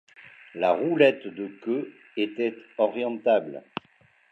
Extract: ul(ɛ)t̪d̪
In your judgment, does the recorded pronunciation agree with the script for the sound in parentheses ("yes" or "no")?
yes